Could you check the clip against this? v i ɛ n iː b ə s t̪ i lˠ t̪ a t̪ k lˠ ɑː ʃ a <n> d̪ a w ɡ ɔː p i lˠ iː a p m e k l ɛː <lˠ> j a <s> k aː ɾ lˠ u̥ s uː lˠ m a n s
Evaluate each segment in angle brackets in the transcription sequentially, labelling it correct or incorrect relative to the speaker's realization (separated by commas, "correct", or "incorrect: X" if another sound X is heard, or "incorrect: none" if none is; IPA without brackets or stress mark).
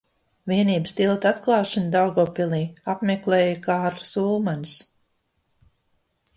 correct, incorrect: none, incorrect: none